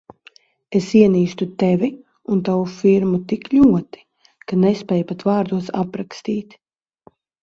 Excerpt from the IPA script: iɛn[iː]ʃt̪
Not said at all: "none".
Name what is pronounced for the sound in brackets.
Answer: iː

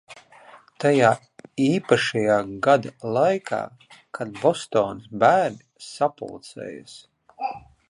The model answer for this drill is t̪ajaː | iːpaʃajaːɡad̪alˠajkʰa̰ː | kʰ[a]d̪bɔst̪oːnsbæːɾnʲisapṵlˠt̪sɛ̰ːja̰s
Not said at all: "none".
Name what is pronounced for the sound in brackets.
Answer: a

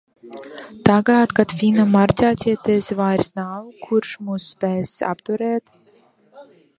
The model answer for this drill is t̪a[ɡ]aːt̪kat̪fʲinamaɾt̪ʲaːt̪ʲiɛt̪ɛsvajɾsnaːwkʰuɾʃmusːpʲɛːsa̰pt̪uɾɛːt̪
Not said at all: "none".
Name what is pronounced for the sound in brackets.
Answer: ɡ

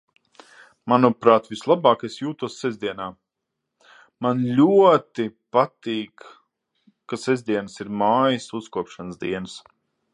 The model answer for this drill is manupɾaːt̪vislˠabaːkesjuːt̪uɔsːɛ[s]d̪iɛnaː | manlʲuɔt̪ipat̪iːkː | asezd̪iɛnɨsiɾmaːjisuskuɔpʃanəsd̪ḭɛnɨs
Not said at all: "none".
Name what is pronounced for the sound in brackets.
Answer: z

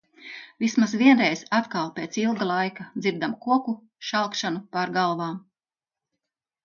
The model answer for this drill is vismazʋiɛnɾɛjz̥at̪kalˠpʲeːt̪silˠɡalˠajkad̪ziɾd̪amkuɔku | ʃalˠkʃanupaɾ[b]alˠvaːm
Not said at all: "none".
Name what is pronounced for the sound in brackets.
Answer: ɡ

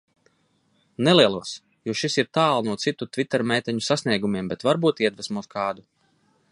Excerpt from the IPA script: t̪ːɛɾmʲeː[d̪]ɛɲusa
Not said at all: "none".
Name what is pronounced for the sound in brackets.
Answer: t̪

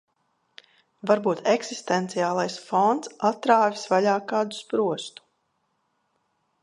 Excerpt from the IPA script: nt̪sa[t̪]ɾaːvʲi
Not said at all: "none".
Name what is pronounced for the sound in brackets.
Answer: t̪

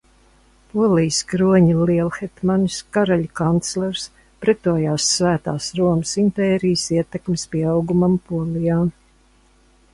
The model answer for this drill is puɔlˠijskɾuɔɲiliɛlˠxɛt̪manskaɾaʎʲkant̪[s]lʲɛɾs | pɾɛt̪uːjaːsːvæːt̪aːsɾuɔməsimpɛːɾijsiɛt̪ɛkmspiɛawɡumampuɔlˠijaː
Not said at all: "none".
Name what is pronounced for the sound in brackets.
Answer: s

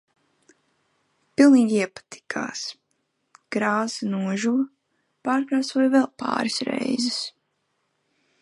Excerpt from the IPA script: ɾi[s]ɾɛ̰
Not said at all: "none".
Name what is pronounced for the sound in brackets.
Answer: s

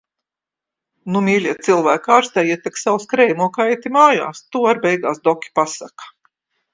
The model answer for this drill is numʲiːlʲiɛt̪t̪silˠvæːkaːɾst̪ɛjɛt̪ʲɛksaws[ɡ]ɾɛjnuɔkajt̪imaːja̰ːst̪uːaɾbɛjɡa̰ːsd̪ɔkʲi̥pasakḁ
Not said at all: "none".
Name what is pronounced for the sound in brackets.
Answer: k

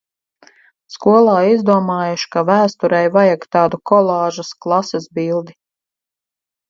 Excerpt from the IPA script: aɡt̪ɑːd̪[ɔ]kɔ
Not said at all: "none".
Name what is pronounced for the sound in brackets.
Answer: u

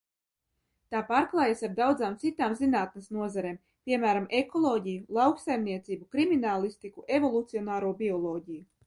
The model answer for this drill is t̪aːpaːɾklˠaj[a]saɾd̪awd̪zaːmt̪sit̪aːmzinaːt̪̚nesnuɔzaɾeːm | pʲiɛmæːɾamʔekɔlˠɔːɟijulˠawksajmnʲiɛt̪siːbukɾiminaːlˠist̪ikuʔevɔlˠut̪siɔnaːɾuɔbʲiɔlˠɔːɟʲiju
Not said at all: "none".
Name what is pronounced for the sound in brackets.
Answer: a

